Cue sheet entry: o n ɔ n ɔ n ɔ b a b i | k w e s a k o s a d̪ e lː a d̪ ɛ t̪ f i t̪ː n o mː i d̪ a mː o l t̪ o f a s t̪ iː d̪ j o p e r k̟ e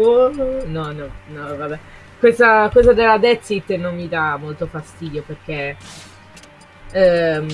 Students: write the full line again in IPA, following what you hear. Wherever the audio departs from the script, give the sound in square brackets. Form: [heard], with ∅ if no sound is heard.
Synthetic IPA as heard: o n ɔ n ɔ n ɔ [v] a b [ɛ] | k w e s a k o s a d̪ e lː a d̪ ɛ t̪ [s] i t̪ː n o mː i d̪ a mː o l t̪ o f a s t̪ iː d̪ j o p e r k̟ e